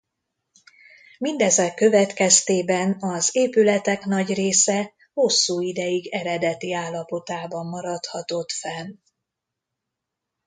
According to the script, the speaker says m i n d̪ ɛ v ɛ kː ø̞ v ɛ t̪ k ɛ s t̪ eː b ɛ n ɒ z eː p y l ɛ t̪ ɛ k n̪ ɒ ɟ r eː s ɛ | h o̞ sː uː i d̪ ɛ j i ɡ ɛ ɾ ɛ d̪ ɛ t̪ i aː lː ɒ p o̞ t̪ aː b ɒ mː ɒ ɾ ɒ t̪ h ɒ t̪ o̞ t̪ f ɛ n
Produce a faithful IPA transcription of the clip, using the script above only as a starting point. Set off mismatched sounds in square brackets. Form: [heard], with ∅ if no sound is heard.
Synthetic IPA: m i n d̪ ɛ [z] ɛ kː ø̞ v ɛ t̪ k ɛ s t̪ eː b ɛ n ɒ z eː p y l ɛ t̪ ɛ k n̪ ɒ ɟ r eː s ɛ | h o̞ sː uː i d̪ ɛ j i ɡ ɛ ɾ ɛ d̪ ɛ t̪ i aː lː ɒ p o̞ t̪ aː b ɒ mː ɒ ɾ ɒ t̪ h ɒ t̪ o̞ t̪ f ɛ n